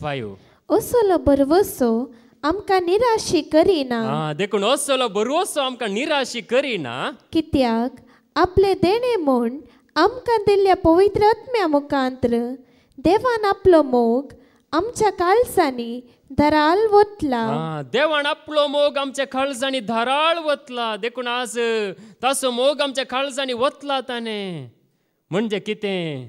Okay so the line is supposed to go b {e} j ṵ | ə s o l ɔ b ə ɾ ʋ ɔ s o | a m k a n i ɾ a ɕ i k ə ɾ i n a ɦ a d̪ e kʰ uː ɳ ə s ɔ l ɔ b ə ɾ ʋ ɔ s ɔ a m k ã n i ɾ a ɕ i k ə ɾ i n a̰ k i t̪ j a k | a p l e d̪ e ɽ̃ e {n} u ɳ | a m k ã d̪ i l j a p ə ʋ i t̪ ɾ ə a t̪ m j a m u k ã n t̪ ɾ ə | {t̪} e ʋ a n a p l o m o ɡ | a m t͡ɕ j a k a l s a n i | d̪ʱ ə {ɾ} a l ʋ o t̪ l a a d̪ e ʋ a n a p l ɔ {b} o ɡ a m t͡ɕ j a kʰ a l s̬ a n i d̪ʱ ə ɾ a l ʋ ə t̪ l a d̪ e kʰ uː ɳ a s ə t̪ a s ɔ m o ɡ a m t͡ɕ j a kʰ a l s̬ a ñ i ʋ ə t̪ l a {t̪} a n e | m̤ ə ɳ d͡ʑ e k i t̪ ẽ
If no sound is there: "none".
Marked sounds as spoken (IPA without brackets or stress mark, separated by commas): a, m, d̪, ɾ, m, t̪